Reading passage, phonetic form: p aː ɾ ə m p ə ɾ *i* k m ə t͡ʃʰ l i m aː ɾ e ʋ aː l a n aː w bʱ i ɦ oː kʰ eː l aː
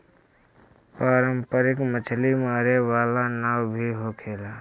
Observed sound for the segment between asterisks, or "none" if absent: ɪ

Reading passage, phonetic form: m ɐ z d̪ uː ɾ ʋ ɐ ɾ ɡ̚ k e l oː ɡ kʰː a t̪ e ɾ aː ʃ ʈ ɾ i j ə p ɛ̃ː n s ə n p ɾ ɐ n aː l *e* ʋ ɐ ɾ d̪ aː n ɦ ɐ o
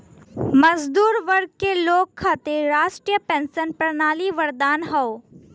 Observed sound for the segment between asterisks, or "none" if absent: i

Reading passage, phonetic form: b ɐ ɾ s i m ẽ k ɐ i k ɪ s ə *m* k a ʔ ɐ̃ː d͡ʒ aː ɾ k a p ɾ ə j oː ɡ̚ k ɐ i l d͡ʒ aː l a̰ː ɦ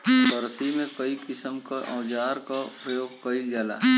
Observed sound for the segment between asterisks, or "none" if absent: m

